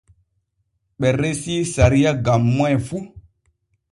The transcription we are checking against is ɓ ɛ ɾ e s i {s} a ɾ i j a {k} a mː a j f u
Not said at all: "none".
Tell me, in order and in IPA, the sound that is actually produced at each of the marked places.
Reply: s, ɡ

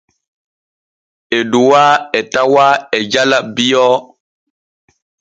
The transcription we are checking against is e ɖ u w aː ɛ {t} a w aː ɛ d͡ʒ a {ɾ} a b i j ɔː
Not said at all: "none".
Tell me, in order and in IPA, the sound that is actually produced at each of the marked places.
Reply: t, l

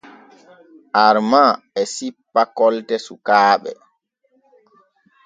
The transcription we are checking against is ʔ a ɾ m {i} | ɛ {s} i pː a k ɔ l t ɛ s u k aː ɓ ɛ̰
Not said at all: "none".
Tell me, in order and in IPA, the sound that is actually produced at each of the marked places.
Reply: a, s

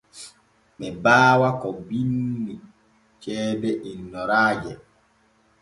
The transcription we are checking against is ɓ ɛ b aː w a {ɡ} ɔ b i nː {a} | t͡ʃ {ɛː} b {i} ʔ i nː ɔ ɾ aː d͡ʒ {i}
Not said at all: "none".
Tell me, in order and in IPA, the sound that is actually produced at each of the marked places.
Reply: k, i, ɛː, ɛ, ɛ

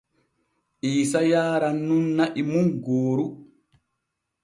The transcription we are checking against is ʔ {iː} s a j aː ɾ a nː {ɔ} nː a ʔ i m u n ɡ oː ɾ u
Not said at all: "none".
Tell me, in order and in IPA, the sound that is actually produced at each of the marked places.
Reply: iː, u

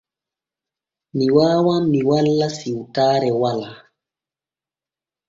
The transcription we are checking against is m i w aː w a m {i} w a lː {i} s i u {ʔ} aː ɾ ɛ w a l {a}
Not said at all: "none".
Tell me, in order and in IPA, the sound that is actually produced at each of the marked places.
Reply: i, a, t, a

